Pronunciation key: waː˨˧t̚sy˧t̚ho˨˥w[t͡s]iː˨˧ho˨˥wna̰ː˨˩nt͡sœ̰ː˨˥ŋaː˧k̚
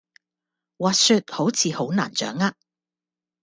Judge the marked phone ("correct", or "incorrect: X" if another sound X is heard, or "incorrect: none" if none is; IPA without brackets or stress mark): incorrect: t͡sʰ